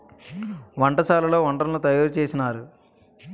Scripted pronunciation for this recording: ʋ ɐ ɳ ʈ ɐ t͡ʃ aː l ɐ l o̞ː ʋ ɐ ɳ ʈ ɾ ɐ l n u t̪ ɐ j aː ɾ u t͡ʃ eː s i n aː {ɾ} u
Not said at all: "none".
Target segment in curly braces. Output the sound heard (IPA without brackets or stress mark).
ɾ